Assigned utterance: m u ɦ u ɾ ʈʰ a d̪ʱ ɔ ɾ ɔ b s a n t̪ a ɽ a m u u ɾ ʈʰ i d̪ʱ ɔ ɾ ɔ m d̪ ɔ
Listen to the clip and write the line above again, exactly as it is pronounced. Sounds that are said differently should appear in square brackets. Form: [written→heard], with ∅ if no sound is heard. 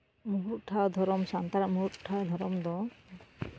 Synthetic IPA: m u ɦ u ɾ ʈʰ a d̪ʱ ɔ ɾ ɔ [b→m] s a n t̪ a [ɽ→ɾ] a m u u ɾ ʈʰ [i→a] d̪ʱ ɔ ɾ ɔ m d̪ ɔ